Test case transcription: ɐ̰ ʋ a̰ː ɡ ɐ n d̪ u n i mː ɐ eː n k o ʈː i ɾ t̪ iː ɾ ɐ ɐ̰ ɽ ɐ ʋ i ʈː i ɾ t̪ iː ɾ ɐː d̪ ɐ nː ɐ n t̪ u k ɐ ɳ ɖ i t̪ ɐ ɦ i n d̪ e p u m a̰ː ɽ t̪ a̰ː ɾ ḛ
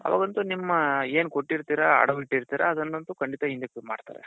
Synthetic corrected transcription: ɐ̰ ʋ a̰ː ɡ ɐ n t̪ u n i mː ɐ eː n k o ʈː i ɾ t̪ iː ɾ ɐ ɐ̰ ɽ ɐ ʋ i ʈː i ɾ t̪ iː ɾ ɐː d̪ ɐ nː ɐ n t̪ u k ɐ ɳ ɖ i t̪ ɐ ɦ i n d̪ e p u m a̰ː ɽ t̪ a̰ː ɾ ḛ